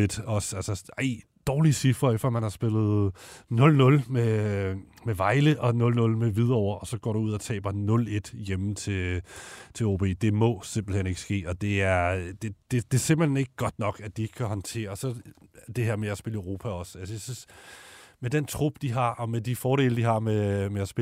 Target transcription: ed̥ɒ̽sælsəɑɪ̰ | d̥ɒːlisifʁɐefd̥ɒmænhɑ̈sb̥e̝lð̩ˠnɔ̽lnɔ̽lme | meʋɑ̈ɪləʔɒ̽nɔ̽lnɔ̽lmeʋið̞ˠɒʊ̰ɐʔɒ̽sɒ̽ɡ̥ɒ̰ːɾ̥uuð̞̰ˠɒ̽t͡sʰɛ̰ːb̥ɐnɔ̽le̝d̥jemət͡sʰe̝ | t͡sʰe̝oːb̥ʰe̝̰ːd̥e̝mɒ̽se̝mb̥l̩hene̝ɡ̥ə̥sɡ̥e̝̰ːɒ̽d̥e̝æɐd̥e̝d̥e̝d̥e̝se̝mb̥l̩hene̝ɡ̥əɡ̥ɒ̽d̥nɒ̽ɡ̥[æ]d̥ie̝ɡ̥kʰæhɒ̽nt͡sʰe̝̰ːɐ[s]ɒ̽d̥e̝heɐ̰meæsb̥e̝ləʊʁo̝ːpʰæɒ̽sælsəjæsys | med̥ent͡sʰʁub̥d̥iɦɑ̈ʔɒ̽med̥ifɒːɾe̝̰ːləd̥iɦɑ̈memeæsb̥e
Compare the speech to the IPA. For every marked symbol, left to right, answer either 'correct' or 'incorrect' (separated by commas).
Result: correct, correct